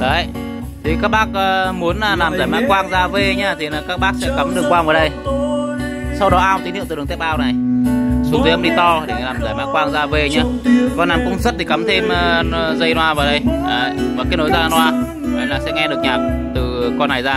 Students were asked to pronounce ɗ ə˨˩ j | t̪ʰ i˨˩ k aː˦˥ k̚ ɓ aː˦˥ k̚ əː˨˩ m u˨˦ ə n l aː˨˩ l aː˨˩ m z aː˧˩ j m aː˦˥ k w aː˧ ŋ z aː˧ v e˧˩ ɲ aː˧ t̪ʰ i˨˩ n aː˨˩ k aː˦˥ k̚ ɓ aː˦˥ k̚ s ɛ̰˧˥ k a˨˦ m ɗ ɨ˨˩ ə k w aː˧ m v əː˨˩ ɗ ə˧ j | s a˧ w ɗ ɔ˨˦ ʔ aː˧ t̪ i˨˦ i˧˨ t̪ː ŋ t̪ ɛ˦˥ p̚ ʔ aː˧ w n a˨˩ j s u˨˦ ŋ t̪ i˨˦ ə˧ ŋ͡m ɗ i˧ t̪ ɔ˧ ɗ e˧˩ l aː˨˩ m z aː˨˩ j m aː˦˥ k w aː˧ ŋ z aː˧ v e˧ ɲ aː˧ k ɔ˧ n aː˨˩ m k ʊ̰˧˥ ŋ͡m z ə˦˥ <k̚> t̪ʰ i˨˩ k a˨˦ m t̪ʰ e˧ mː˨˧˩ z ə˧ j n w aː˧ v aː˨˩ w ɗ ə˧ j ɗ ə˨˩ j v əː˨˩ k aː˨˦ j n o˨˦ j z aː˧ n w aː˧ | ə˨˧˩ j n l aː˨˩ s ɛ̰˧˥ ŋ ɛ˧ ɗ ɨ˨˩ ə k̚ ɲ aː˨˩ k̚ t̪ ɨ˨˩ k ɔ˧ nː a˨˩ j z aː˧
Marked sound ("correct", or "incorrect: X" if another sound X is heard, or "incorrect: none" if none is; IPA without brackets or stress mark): incorrect: t̚